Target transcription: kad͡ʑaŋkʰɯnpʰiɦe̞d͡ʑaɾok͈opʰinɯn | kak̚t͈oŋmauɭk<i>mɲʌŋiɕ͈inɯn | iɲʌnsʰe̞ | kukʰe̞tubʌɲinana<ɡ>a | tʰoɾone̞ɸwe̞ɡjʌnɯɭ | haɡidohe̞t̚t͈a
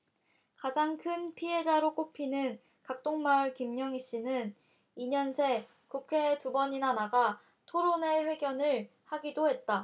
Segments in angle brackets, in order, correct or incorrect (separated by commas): correct, correct